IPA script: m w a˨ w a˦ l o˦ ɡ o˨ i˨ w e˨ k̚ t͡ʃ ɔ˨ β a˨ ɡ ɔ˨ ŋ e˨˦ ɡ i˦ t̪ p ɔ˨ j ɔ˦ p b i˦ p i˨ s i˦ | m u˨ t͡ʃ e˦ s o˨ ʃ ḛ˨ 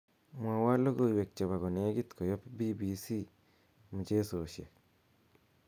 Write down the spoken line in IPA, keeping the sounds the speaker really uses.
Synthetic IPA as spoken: m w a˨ w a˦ l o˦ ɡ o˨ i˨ w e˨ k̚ t͡ʃ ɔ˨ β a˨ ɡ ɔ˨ n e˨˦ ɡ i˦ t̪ k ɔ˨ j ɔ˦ p b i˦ b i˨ s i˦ | m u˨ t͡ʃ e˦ s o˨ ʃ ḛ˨